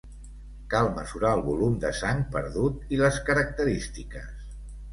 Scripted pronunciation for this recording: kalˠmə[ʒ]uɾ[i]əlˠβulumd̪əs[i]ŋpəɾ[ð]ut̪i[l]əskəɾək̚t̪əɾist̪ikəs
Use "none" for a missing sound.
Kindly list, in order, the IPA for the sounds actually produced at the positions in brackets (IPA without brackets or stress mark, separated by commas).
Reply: z, a, a, ð, l